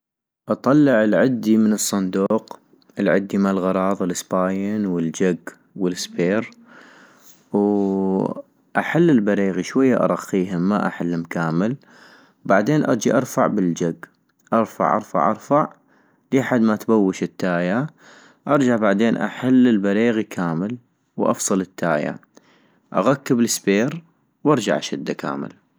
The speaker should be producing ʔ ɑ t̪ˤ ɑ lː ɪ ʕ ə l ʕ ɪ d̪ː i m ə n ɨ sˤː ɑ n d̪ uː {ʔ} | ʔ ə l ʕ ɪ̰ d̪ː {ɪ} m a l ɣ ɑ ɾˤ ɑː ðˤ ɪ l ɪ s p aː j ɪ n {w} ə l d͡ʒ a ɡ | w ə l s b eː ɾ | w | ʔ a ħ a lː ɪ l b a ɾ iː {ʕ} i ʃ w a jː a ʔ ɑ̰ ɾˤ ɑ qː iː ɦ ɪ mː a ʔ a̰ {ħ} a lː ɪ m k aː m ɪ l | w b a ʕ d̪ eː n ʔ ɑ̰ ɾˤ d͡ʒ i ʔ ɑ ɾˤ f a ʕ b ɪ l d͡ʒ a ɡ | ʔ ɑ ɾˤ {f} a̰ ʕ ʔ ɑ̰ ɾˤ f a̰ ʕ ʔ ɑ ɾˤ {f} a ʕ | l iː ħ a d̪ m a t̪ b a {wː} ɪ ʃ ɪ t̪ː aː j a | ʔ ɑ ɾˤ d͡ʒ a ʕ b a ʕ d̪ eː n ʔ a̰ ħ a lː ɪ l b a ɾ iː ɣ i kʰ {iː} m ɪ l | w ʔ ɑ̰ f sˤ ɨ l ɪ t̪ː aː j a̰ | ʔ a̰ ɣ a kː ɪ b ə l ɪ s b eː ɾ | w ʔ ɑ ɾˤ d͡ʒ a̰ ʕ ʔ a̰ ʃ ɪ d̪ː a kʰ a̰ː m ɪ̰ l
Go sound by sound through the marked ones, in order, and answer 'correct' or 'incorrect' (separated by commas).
incorrect, incorrect, correct, incorrect, correct, correct, correct, correct, incorrect